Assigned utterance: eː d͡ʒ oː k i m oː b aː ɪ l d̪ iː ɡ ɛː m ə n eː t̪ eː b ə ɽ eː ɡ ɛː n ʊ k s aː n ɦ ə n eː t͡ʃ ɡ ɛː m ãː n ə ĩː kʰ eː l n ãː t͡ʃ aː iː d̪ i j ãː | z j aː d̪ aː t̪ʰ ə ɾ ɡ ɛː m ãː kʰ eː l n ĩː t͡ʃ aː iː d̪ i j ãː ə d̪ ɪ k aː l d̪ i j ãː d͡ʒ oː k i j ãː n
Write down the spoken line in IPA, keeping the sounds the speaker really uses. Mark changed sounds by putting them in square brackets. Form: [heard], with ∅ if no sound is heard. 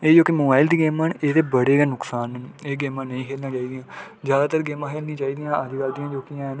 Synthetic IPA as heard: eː d͡ʒ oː k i m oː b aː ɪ l d̪ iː ɡ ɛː m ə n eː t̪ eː b ə ɽ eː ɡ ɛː n ʊ k s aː n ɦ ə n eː [∅] ɡ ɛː m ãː n ə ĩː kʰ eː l n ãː t͡ʃ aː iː d̪ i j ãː | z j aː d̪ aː [t̪] ə ɾ ɡ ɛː m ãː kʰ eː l n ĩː t͡ʃ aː iː d̪ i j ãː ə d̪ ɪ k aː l d̪ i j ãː d͡ʒ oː k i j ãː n

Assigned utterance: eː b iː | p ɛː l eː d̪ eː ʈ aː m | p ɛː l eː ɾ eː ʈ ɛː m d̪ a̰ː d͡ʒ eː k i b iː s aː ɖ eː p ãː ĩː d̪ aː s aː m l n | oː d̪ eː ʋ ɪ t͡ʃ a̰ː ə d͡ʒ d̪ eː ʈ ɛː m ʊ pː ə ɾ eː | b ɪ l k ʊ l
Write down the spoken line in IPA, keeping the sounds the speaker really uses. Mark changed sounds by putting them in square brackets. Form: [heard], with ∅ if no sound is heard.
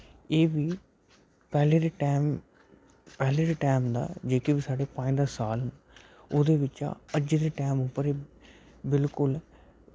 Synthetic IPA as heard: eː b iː | p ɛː l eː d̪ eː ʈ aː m | p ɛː l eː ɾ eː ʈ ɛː m d̪ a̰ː d͡ʒ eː k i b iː s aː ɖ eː p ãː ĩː d̪ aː s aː [∅] l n | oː d̪ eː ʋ ɪ t͡ʃ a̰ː ə d͡ʒ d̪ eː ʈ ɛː m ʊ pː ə ɾ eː | b ɪ l k ʊ l

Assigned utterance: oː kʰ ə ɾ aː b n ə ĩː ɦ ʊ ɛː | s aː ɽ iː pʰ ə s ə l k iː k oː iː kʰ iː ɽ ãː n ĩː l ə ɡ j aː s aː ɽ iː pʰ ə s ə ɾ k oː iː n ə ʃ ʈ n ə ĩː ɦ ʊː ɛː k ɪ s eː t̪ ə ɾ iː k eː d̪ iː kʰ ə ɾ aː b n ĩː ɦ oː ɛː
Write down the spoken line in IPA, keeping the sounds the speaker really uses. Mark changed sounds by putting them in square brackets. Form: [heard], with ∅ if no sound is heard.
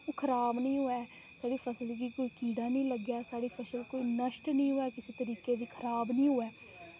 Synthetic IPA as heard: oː kʰ ə ɾ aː b n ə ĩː ɦ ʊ ɛː | s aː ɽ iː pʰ ə s ə l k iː k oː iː [k] iː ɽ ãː n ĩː l ə ɡ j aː s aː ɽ iː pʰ ə s ə [l] k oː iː n ə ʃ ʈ n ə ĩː ɦ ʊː ɛː k ɪ s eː t̪ ə ɾ iː k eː d̪ iː kʰ ə ɾ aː b n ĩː ɦ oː ɛː

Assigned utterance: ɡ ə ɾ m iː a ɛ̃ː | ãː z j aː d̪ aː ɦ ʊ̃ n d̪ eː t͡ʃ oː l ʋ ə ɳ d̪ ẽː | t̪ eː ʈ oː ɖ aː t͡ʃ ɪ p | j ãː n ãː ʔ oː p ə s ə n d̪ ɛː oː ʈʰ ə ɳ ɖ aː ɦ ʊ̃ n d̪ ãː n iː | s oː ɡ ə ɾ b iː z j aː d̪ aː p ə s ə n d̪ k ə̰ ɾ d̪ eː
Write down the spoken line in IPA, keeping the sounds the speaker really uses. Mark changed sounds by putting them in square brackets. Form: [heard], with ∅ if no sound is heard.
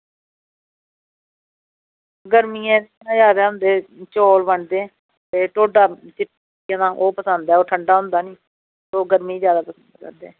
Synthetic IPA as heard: ɡ ə ɾ m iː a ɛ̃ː | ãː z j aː d̪ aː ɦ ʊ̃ n d̪ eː t͡ʃ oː l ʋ ə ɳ d̪ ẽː | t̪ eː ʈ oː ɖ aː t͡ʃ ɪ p | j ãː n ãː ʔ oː p ə s ə n d̪ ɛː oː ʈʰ ə ɳ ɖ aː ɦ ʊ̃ n d̪ [aː] n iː | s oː ɡ ə ɾ [m] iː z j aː d̪ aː p ə s ə n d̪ k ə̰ ɾ d̪ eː

